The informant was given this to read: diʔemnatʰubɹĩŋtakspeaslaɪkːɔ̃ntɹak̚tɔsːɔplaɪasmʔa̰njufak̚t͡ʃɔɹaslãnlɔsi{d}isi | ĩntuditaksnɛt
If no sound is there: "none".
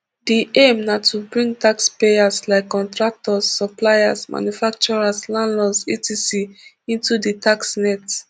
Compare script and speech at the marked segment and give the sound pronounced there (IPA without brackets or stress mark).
t